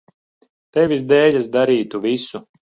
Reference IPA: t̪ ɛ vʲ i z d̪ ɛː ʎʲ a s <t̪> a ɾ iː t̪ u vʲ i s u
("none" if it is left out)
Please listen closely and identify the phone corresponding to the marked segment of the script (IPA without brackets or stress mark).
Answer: d̪